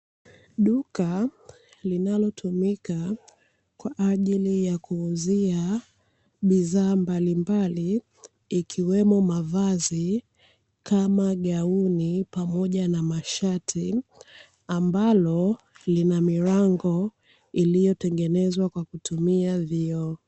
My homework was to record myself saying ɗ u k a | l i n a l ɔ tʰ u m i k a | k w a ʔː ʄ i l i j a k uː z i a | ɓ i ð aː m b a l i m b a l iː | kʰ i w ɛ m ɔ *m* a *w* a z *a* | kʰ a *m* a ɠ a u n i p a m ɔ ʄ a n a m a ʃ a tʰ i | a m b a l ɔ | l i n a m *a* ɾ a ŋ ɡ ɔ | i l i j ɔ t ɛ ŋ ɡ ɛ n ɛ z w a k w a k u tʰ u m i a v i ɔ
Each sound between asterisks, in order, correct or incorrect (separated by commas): correct, incorrect, incorrect, correct, incorrect